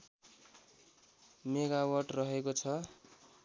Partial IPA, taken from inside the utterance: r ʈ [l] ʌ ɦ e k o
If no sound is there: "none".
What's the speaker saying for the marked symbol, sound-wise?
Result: r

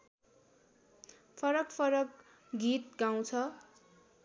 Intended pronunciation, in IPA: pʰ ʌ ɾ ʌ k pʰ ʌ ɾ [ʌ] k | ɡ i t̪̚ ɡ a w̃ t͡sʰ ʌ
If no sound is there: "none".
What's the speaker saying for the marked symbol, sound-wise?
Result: ʌ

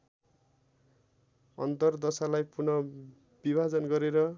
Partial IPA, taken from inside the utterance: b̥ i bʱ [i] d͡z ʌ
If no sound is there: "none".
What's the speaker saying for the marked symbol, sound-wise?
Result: a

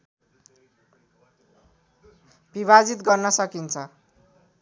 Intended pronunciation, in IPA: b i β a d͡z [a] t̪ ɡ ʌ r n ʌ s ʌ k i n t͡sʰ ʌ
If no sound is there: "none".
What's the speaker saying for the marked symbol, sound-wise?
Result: i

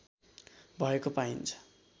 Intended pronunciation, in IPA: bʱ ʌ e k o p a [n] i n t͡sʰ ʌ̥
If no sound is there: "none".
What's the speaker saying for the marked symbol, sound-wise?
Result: none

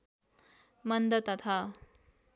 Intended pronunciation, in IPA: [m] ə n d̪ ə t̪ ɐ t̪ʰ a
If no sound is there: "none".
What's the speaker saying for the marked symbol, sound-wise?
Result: m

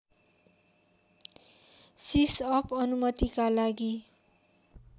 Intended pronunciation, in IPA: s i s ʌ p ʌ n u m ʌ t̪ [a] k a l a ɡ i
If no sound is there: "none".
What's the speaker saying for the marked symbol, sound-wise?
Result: i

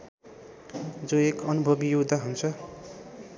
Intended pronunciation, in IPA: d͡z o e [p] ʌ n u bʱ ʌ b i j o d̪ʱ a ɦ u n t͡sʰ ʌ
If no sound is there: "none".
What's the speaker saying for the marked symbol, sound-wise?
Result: k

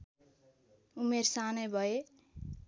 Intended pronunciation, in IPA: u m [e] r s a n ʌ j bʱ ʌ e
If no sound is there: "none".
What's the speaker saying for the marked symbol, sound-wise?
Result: e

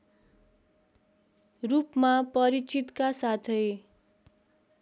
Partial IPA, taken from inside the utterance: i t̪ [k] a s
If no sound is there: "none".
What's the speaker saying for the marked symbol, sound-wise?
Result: k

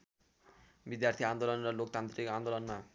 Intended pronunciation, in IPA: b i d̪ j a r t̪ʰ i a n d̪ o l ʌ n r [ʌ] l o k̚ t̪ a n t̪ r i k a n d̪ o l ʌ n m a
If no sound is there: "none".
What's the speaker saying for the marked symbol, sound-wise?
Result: ʌ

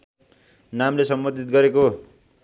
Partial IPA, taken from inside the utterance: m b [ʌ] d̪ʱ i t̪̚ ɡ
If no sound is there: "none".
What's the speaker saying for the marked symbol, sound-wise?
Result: ʌ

